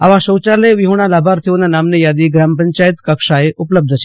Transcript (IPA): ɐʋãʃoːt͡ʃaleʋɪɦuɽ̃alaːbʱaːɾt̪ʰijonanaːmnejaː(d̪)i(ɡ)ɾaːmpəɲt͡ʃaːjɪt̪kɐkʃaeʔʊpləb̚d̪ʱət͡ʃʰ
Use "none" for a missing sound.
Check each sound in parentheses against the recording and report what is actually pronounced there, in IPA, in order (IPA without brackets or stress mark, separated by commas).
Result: d̪, ɡ